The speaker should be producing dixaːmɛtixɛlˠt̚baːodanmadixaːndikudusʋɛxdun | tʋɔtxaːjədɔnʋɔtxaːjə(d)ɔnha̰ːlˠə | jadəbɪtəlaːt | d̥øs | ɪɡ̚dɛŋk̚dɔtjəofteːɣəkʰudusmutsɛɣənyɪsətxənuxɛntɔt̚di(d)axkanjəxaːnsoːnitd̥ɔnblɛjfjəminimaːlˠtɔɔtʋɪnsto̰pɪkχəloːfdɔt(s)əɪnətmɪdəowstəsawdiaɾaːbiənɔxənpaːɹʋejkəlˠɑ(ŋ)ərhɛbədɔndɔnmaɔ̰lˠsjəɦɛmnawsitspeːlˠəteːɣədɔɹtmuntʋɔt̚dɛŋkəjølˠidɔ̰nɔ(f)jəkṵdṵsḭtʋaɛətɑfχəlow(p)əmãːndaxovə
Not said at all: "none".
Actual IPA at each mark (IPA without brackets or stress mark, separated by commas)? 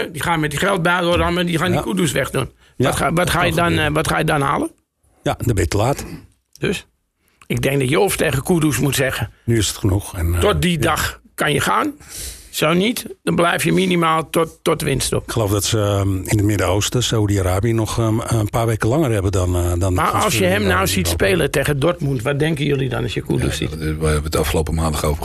d, d, s, ŋ, s, p